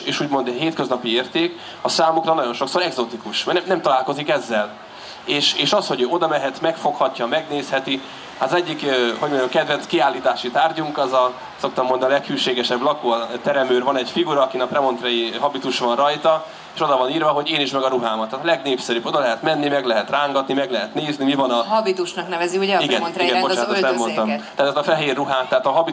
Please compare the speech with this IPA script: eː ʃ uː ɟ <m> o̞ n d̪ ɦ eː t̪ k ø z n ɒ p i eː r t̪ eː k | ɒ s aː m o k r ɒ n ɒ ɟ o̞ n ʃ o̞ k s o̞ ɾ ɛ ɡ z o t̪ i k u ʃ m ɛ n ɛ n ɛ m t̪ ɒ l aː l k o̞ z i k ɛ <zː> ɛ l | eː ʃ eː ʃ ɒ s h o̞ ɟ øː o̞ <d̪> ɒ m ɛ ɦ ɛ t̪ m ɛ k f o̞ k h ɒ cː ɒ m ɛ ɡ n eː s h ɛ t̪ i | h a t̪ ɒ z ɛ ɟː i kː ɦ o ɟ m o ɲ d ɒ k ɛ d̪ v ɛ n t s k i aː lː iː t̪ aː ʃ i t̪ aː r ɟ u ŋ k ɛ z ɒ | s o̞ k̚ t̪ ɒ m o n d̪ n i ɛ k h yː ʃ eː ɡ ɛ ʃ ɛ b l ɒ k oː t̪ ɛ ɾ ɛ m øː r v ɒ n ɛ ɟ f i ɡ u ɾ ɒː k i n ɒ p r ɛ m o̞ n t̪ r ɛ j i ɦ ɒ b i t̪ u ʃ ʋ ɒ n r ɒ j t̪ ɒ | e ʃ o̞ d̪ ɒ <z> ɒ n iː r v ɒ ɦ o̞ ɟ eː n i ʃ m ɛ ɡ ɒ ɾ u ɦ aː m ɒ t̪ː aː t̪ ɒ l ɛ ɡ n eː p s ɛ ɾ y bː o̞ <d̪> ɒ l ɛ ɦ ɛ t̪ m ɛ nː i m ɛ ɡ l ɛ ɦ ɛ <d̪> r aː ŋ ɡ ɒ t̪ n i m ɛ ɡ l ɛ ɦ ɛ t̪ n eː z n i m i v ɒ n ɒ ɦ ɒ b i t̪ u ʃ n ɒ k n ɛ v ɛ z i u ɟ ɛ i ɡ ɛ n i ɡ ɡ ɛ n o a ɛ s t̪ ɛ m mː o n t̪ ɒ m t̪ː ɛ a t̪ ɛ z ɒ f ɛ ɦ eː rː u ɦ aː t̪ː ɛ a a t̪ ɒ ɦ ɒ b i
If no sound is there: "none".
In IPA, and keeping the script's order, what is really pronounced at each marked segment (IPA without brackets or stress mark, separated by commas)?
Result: m, zː, d̪, v, d̪, t̪